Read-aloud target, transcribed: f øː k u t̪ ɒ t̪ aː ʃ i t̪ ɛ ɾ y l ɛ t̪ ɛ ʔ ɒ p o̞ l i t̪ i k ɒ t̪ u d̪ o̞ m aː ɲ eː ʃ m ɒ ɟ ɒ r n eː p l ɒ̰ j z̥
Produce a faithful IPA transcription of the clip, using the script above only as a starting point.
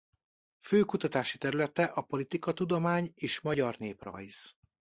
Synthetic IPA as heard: f øː k u t̪ ɒ t̪ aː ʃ i t̪ ɛ ɾ y l ɛ t̪ ɛ ʔ ɒ p o̞ l i t̪ i k ɒ t̪ u d̪ o̞ m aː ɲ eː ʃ m ɒ ɟ ɒ r n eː p r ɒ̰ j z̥